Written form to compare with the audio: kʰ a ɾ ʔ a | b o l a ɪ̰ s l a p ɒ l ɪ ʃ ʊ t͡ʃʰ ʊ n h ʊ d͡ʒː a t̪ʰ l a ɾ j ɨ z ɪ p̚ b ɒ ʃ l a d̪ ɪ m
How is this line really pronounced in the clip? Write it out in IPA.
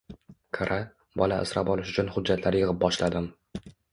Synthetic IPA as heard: kʰ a ɾ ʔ a | b ɒ l a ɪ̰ s ɾ a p ɒ l ɪ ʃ ʊ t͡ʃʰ ʊ n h ʊ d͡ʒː a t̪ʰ l a ɾ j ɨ ʁ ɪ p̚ b ɒ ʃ l a d̪ ɪ m